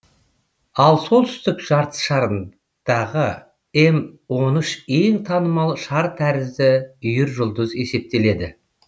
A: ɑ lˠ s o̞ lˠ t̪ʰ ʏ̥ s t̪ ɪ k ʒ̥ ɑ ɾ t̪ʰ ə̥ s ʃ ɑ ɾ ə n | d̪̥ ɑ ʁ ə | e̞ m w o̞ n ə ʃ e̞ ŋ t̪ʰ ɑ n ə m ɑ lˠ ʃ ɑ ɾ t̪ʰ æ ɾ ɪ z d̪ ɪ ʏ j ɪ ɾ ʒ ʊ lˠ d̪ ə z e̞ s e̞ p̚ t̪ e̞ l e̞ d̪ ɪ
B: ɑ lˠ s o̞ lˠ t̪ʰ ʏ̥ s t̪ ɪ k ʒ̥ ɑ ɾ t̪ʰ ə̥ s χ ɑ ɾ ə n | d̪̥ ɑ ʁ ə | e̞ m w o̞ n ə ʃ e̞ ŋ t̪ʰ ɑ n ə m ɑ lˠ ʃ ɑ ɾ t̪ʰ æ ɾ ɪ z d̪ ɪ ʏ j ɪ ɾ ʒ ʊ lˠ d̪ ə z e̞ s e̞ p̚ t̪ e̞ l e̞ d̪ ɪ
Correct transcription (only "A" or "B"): A